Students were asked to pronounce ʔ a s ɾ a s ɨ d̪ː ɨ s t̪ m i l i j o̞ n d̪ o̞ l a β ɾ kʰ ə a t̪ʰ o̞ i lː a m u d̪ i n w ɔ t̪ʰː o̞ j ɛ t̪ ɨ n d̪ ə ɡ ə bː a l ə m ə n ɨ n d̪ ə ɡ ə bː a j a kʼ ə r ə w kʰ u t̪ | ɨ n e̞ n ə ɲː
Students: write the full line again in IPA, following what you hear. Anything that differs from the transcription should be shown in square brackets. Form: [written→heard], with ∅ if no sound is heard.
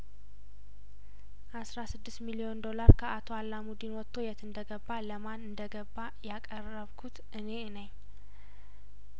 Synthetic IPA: ʔ a s ɾ a s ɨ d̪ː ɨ s t̪ m i l i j o̞ n d̪ o̞ l a [β→∅] ɾ kʰ ə a t̪ʰ o̞ [i→a] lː a m u d̪ i n w ɔ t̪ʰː o̞ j ɛ t̪ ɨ n d̪ ə ɡ ə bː a l ə m [ə→a] n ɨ n d̪ ə ɡ ə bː a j a kʼ ə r ə [w→β] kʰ u t̪ | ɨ n e̞ n ə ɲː